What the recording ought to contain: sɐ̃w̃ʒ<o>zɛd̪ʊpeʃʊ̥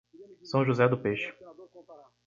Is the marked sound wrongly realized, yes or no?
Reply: yes